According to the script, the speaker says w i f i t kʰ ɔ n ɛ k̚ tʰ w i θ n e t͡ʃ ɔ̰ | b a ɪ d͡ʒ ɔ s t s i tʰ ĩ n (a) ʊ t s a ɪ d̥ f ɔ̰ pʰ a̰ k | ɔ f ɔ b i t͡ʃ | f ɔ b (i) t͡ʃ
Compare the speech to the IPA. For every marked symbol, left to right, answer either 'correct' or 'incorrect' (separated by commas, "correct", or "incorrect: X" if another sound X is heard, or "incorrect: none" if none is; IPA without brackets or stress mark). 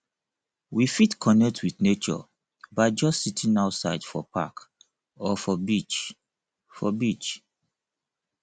correct, correct